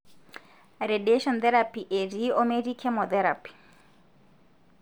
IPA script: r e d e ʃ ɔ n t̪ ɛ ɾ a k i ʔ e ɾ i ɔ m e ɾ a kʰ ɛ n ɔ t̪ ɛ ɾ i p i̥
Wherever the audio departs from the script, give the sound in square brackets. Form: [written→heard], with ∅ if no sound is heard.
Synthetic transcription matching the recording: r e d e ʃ ɔ n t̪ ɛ ɾ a [k→p] i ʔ e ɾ i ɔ m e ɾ [a→i] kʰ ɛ [n→m] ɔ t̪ ɛ ɾ [i→a] p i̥